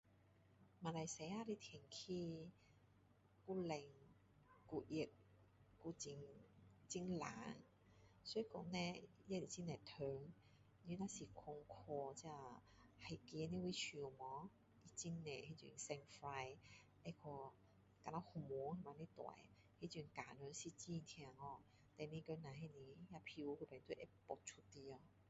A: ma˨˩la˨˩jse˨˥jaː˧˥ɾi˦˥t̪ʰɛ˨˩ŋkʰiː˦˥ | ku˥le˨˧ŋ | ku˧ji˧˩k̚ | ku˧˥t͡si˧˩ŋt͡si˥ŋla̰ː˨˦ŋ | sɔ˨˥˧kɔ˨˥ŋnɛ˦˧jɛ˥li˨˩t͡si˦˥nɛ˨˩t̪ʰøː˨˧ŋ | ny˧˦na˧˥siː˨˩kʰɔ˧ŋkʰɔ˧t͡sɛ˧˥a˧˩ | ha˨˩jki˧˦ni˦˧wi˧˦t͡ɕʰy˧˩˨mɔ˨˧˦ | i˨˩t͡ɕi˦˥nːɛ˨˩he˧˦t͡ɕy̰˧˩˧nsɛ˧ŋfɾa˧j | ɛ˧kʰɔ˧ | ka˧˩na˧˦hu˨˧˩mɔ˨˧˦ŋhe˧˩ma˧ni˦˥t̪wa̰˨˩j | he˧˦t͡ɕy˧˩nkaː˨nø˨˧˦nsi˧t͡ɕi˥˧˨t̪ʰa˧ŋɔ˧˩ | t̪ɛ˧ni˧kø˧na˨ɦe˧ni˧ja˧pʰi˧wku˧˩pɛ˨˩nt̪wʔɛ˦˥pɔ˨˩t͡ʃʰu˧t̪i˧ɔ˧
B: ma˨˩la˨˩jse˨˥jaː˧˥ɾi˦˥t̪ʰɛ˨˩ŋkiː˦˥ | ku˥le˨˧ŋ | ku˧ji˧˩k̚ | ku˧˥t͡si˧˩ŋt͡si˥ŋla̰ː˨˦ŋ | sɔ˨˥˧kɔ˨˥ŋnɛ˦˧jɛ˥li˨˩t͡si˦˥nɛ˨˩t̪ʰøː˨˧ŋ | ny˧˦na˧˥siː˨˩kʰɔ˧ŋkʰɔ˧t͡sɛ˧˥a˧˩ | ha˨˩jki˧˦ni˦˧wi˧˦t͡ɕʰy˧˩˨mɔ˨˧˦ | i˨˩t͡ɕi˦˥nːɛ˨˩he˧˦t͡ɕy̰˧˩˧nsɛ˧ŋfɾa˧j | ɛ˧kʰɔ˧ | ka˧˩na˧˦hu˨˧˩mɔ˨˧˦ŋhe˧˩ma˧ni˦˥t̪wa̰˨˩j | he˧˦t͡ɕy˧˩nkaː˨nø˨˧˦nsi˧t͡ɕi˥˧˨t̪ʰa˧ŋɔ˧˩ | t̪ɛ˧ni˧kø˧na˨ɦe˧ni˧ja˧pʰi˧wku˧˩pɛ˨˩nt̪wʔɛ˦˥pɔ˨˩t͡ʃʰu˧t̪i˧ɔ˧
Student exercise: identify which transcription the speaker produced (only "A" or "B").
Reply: A